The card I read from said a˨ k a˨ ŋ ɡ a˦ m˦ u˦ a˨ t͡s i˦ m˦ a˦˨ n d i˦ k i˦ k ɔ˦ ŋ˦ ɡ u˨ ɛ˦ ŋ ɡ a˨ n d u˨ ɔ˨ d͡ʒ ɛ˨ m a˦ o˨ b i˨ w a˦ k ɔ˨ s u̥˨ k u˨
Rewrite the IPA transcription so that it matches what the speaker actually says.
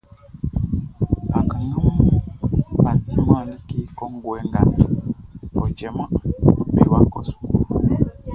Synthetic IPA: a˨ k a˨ ŋ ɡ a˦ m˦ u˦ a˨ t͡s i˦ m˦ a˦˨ n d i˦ k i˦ k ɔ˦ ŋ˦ ɡ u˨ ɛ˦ ŋ ɡ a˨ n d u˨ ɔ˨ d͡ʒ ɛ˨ m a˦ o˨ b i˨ w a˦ k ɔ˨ s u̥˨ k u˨